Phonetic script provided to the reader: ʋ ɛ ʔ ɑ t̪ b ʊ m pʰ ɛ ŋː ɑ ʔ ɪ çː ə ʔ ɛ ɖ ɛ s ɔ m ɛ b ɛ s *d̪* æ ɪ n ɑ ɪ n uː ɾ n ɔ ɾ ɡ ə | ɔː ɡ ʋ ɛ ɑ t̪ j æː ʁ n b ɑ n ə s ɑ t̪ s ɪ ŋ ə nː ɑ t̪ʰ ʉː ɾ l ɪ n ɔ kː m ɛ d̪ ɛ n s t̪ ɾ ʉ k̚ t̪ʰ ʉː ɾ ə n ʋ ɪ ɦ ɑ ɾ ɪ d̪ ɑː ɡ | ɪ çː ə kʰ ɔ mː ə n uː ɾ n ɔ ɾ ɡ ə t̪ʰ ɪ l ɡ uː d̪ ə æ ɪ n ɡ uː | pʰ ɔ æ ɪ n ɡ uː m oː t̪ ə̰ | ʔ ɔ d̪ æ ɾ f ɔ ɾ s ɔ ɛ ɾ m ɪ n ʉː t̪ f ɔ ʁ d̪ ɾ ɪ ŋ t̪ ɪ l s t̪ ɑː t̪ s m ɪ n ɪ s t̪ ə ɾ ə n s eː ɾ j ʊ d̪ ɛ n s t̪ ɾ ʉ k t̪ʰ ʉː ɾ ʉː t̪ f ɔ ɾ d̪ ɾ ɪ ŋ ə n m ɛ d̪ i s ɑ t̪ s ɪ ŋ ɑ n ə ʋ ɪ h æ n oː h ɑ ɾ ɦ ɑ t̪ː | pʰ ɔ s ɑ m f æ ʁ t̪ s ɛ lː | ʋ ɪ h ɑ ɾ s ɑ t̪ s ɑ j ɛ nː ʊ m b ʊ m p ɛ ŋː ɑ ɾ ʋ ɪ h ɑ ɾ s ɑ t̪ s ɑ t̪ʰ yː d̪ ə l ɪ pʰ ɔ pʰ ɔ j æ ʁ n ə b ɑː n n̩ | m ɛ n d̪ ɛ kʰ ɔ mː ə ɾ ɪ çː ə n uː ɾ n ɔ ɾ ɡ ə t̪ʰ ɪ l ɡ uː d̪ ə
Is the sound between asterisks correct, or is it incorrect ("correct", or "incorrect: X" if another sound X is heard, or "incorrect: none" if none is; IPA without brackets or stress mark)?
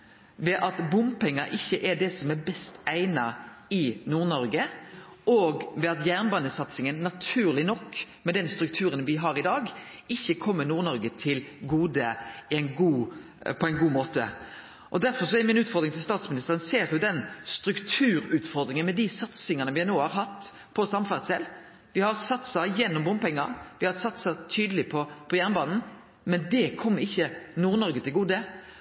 incorrect: t̪